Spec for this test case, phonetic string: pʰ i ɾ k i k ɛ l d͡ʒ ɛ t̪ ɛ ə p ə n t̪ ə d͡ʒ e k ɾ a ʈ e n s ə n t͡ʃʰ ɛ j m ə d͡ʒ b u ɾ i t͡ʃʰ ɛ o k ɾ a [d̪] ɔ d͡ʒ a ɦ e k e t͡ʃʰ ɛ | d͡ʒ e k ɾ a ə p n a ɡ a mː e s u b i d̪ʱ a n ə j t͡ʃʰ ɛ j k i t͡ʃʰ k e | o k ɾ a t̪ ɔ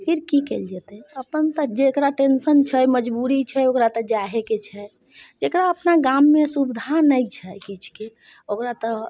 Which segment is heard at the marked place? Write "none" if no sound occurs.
t̪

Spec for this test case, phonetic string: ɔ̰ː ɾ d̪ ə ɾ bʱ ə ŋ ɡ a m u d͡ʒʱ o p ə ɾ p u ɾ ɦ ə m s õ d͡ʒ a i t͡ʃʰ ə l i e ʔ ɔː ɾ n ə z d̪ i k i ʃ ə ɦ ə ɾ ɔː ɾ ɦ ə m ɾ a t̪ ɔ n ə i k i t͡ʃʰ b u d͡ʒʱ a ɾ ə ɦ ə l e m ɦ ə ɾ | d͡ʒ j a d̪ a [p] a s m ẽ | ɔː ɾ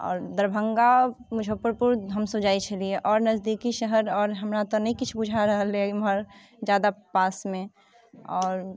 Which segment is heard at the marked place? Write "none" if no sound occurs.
p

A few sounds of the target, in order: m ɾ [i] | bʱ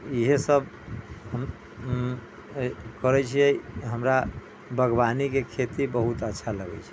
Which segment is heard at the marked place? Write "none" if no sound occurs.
a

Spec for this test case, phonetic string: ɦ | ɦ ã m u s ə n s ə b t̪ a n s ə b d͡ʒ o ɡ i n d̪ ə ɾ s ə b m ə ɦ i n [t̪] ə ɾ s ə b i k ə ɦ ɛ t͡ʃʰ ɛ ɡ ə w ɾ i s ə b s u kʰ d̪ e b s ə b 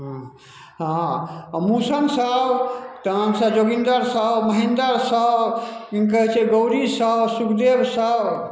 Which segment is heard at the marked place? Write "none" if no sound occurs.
d̪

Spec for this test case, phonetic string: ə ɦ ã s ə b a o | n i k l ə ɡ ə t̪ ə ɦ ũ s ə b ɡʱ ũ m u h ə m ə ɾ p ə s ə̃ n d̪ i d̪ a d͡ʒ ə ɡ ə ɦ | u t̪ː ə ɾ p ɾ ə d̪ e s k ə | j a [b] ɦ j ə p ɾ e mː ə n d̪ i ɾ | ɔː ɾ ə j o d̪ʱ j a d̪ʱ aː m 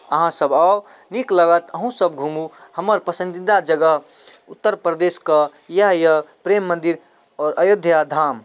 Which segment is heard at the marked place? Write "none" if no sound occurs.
none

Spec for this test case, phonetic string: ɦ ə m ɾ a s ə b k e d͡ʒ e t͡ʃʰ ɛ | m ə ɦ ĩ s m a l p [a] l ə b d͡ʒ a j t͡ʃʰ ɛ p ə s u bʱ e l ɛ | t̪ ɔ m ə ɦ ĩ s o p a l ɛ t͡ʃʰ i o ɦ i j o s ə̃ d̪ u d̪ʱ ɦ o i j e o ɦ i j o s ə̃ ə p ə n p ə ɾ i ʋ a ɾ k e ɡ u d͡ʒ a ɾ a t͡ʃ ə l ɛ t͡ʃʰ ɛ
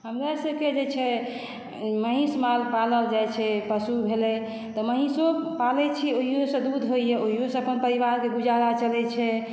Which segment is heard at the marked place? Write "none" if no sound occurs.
a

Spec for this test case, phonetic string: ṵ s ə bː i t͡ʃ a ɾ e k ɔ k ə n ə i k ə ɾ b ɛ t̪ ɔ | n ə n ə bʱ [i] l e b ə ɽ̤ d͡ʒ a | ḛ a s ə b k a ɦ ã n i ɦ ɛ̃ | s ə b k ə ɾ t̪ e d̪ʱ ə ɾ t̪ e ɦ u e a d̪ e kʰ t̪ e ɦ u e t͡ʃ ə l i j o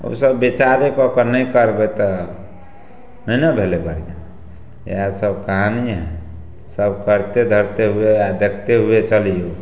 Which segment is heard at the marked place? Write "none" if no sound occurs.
e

